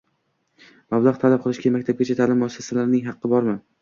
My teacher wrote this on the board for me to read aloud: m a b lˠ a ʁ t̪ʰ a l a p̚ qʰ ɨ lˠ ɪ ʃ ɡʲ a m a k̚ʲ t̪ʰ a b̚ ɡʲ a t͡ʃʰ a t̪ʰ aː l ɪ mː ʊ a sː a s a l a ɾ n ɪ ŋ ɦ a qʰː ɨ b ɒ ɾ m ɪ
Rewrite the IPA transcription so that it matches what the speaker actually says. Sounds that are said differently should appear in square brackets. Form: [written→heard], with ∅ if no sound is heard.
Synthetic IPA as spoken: m a b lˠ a ʁ t̪ʰ a l a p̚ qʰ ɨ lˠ ɪ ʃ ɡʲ a m a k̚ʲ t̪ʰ a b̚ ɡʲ a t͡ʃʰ a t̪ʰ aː l ɪ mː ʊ a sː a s a l a ɾ n ɪ ŋ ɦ [a→ɑ] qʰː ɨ b ɒ ɾ m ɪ

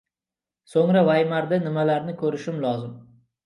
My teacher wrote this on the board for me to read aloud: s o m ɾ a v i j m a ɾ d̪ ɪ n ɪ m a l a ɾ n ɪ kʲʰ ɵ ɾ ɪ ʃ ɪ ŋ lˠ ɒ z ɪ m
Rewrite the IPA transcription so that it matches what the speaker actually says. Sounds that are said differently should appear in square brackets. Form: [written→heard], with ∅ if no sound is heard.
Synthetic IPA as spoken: s o [m→ŋ] ɾ a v [i→a] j m a ɾ d̪ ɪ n ɪ m a l a ɾ n ɪ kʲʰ ɵ ɾ ɪ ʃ ɪ [ŋ→m] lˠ ɒ z ɪ m

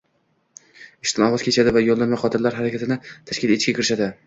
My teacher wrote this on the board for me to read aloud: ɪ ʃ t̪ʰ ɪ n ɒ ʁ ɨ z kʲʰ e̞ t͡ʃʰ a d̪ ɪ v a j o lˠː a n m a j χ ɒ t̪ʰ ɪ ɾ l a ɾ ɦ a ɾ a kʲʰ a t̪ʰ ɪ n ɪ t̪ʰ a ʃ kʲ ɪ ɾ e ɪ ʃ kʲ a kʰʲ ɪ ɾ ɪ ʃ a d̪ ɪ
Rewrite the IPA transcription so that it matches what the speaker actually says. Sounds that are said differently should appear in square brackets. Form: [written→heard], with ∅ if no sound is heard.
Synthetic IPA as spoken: ɪ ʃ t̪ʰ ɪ n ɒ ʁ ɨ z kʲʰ e̞ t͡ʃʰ a d̪ ɪ v a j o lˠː a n m a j χ ɒ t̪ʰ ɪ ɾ l a ɾ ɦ a ɾ a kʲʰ a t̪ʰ ɪ n ɪ t̪ʰ a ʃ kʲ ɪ [ɾ→l] e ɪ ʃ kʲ a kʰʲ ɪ ɾ ɪ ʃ a d̪ ɪ

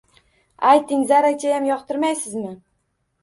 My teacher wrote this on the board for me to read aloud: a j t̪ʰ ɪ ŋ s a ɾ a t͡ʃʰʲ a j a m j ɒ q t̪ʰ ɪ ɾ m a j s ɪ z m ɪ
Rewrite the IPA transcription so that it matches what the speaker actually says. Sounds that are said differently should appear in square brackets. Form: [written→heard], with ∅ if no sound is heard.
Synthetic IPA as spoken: a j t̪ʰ ɪ ŋ [s→z] a ɾ a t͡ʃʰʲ a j a m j ɒ q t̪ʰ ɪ ɾ m a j s ɪ z m ɪ

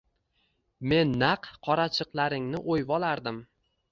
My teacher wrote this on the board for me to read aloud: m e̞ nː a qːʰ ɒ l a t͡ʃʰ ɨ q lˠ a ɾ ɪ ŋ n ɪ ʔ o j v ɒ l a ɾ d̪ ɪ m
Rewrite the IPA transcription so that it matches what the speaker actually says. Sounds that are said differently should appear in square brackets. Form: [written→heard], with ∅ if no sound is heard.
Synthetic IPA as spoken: m e̞ nː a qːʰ ɒ [l→ɾ] a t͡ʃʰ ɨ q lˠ a ɾ ɪ ŋ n ɪ ʔ o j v ɒ l a ɾ d̪ ɪ m

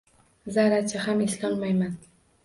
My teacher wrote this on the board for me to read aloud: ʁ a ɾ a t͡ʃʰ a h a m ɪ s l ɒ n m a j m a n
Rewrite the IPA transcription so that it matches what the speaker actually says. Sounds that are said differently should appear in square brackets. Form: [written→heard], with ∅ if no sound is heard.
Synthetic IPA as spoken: [ʁ→z] a ɾ a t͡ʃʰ a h a m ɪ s l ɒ n m a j m a n

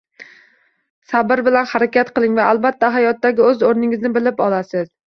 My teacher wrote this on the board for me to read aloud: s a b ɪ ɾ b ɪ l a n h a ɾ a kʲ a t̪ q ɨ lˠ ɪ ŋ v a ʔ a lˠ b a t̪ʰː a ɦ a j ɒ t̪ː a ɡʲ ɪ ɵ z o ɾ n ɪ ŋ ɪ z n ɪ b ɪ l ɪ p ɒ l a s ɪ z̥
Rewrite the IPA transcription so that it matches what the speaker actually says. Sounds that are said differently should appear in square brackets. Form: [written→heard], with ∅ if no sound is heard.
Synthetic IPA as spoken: s a b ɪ ɾ b ɪ l a n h a ɾ a kʲ a t̪ q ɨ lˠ ɪ ŋ v a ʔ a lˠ b a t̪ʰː a ɦ a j ɒ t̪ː a ɡʲ ɪ ɵ z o ɾ n ɪ ŋ ɪ z n ɪ b ɪ l ɪ p ɒ l a s ɪ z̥

